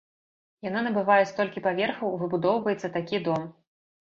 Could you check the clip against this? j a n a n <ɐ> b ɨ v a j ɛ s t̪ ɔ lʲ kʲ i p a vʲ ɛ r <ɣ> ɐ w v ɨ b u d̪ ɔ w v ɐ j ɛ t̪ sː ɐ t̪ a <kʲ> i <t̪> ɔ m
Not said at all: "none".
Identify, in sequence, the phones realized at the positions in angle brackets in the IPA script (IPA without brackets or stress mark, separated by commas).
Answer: ɐ, x, kʲ, d̪